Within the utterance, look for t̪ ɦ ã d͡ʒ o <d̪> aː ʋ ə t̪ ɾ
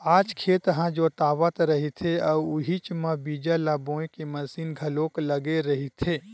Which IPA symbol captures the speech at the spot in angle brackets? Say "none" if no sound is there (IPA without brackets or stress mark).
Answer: t̪